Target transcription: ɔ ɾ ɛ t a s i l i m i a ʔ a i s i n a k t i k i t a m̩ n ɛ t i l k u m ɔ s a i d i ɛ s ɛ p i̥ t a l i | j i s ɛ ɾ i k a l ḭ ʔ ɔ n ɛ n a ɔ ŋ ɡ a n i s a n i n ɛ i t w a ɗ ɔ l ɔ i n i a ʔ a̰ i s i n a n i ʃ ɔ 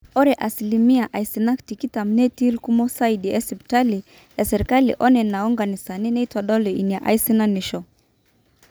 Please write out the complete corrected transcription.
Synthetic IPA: ɔ ɾ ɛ ʔ a s i l i m i a ʔ a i s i n a k t i k i t a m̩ n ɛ t i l k u m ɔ s a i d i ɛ s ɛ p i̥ t a l i | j a s ɛ ɾ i k a l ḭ ʔ ɔ n ɛ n a ɔ ŋ ɡ a n i s a n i n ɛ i t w a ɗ ɔ l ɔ i n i a ʔ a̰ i s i n a n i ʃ ɔ

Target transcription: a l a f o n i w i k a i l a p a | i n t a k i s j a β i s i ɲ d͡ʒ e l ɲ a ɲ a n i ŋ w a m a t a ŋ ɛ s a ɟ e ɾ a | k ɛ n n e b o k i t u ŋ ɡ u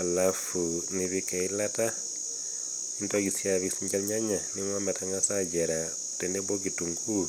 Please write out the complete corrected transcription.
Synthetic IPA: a l a f u n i β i k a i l a t a | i n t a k i s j a β i s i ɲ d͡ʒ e l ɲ a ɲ a n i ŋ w a m a t a ŋ a s a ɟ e ɾ a | t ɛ n d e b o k i t u ŋ ɡ u

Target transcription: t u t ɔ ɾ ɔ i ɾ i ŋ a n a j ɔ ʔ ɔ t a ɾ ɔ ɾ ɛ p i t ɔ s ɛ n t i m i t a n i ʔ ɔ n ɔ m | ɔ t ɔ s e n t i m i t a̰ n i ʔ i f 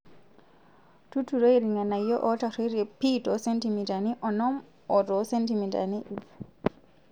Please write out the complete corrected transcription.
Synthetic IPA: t u t u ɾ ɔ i ɾ i ŋ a n a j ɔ ʔ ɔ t a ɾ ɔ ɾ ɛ p i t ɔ s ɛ n t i m i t a n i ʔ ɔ n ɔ m | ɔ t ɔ s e n t i m i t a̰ n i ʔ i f

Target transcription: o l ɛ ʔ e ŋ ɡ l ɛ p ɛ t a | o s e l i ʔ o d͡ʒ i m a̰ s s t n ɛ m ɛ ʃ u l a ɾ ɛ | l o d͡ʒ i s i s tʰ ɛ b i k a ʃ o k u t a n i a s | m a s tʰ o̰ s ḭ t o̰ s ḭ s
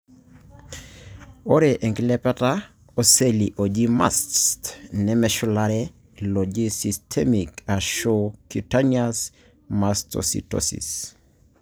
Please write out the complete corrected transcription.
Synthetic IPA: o ɾ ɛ ʔ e ŋ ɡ l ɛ p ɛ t a | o s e l i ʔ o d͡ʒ i m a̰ s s t n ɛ m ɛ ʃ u l a ɾ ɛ | l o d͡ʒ i s i s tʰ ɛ m i k a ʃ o k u t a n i a s | m a s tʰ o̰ s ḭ t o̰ s ḭ s

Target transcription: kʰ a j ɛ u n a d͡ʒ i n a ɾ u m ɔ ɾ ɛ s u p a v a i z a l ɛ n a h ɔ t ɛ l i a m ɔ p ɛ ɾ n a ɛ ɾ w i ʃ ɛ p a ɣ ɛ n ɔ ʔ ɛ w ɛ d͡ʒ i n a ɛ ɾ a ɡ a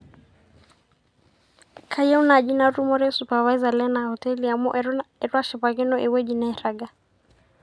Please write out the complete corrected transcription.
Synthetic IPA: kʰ a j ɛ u n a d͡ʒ i n a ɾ u m ɔ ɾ ɛ s u p a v a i z a l ɛ n a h ɔ t ɛ l i a m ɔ ʔ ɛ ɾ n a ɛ ɾ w a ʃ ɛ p a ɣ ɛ n ɔ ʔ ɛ w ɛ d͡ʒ i n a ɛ ɾ a ɡ a

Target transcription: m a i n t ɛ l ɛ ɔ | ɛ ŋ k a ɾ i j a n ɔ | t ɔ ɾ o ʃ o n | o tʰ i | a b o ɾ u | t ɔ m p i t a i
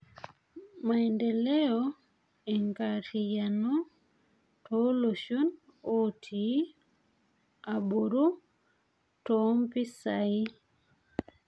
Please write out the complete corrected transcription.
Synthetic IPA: m a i n d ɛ l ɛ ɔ | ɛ ŋ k a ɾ i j a n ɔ | t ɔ l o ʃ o n | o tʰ i | a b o ɾ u | t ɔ m p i s a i

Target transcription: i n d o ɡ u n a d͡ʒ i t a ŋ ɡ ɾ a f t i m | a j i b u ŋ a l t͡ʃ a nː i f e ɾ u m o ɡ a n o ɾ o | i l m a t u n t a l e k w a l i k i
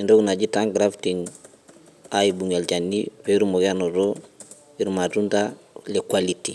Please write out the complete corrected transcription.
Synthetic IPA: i n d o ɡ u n a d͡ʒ i t a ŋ ɡ ɾ a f t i ŋ | a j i b u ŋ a l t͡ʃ a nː i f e ɾ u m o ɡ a n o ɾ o | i ɾ m a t u n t a l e k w a l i t i

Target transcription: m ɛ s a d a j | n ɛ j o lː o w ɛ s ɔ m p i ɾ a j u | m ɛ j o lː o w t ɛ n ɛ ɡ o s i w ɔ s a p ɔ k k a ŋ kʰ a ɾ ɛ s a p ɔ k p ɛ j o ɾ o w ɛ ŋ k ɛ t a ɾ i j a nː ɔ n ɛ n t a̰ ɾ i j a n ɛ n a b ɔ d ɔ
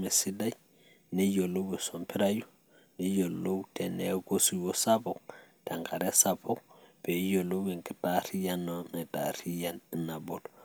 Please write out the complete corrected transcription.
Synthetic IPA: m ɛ s i d a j | n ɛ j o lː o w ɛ s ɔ m p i ɾ a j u | n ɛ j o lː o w t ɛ n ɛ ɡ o s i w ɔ s a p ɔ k t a ŋ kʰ a ɾ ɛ s a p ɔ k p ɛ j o l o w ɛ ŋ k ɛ t a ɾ i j a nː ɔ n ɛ t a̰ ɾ i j a n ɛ n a b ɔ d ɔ

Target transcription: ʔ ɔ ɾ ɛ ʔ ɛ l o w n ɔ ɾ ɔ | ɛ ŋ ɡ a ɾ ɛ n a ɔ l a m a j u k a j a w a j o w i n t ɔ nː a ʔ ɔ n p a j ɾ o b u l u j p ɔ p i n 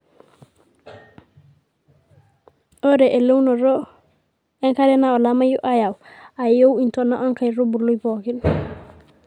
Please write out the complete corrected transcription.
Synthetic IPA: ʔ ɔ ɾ ɛ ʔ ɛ l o w n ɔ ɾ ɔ | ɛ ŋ k a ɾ ɛ n a ɔ l a m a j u ʔ a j a w a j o w i n t ɔ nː a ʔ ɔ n k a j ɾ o b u l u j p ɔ k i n

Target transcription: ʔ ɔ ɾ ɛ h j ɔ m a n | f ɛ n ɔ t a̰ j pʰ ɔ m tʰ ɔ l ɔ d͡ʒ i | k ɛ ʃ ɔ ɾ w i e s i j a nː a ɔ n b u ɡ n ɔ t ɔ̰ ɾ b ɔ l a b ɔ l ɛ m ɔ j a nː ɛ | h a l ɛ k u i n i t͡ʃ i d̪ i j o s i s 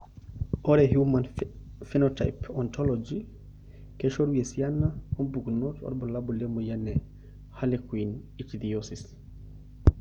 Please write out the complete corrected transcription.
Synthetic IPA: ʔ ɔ ɾ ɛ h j u m a n | f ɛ n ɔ t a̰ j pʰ ɔ n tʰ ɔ l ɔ d͡ʒ i | k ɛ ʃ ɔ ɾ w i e s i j a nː a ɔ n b u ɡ n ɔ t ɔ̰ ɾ b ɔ l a b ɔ l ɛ m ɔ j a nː ɛ | h a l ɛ k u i n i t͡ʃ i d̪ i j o s i s

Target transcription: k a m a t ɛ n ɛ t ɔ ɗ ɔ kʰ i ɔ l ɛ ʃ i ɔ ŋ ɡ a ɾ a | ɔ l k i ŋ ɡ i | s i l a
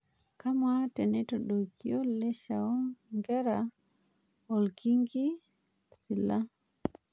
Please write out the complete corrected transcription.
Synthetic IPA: k a m a t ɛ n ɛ t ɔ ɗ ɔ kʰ i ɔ l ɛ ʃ a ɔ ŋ ɡ ɛ ɾ a | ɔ l k i ŋ ɡ i | s i l a

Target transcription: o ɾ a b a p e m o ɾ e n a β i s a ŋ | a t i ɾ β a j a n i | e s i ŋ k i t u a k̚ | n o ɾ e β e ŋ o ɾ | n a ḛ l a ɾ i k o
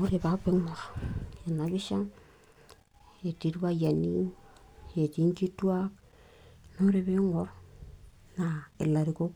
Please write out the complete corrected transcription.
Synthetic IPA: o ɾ e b a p e ŋ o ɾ e n a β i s a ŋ | e t i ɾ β a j a n i | e t i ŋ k i t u a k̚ | n o ɾ e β e ŋ o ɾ | n a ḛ l a ɾ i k o

